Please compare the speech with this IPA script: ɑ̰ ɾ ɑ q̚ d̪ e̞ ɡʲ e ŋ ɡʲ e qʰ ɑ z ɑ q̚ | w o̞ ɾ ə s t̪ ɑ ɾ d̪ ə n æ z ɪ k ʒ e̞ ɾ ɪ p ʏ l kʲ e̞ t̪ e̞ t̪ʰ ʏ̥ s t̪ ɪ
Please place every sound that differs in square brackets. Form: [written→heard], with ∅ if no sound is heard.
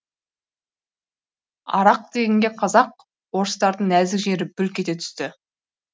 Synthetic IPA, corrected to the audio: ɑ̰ ɾ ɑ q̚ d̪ e̞ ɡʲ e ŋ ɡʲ e qʰ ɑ z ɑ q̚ | w o̞ ɾ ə s t̪ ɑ ɾ d̪ ə [n→ɴ] æ z ɪ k ʒ e̞ ɾ ɪ [p→b] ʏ l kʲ e̞ t̪ e̞ t̪ʰ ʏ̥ s t̪ ɪ